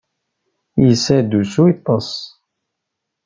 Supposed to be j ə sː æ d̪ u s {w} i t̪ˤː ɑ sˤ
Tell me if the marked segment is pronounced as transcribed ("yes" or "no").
no